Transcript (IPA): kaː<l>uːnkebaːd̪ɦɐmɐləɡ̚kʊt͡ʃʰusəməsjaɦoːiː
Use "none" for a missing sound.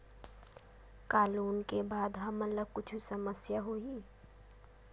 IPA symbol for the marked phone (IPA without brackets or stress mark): l